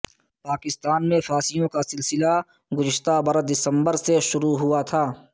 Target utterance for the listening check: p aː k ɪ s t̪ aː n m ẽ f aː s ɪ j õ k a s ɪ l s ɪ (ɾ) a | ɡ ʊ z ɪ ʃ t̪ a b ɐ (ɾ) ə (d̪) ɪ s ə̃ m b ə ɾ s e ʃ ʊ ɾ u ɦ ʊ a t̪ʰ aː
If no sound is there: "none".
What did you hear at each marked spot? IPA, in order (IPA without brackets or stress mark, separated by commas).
l, ɾ, d̪